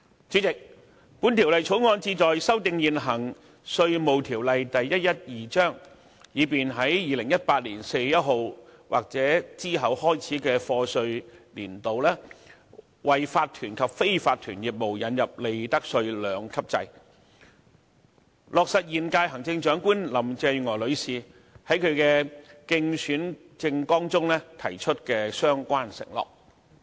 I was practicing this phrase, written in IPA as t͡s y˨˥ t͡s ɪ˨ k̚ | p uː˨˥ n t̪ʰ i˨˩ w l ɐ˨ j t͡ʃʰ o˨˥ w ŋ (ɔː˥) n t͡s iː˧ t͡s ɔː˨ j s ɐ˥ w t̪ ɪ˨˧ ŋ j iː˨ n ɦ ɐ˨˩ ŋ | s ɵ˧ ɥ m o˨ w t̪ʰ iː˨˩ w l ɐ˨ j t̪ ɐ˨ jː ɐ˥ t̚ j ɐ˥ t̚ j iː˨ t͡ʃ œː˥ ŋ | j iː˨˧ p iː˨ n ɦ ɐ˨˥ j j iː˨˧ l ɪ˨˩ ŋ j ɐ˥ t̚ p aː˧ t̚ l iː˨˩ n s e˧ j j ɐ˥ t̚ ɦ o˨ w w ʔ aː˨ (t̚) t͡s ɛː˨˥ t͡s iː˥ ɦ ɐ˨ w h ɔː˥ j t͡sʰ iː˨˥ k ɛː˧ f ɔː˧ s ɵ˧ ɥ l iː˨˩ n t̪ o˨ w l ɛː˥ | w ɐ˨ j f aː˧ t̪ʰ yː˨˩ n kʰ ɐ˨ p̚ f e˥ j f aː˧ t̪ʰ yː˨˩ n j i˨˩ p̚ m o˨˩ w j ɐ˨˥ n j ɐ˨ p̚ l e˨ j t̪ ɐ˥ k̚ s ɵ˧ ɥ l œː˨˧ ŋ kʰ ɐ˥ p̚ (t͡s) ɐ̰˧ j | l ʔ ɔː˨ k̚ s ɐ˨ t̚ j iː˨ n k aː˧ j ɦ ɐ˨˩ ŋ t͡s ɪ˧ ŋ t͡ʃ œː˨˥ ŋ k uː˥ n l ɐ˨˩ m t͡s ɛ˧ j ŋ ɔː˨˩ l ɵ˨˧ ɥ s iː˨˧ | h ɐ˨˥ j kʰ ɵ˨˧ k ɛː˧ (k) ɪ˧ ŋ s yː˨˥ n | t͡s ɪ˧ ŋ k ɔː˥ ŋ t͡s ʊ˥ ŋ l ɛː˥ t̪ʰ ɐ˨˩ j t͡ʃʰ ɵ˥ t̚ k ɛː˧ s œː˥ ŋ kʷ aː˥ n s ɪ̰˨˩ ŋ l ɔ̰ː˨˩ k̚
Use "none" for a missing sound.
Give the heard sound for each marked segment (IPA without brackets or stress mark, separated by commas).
ɔː˧, k̚, t͡s, k